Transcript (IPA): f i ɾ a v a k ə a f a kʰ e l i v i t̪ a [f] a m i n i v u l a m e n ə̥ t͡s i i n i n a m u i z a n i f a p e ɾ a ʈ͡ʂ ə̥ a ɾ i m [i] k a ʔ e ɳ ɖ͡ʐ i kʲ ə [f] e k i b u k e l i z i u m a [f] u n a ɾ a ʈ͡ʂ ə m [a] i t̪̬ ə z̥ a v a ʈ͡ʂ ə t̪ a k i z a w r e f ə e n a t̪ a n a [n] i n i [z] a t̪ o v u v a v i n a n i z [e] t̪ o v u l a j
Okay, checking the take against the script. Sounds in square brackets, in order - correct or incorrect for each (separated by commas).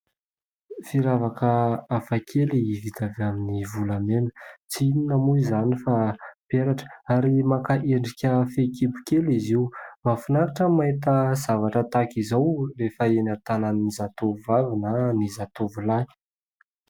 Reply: incorrect, incorrect, correct, correct, correct, correct, correct, incorrect